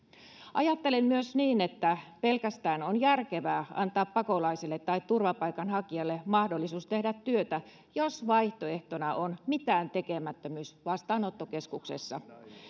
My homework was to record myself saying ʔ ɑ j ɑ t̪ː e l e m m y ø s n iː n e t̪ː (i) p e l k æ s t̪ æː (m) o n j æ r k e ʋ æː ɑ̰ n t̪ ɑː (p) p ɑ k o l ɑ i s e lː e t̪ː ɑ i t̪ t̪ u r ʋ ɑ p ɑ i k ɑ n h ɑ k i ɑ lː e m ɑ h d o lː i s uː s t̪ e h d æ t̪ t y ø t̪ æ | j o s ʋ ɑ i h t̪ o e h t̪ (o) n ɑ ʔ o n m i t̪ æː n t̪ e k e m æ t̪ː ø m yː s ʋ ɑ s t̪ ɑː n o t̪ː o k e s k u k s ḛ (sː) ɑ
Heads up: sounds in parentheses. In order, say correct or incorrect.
incorrect, incorrect, correct, correct, correct

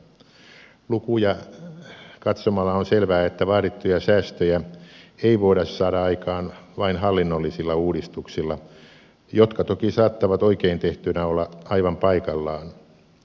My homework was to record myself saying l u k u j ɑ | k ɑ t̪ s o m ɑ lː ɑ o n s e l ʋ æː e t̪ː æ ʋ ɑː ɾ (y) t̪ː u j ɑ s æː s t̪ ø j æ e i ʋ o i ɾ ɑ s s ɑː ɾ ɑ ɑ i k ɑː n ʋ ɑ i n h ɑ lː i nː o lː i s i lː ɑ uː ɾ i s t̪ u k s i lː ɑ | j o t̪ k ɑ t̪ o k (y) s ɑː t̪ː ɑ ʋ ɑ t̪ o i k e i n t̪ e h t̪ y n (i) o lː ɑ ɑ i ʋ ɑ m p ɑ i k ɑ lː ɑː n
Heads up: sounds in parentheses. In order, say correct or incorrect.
incorrect, incorrect, incorrect

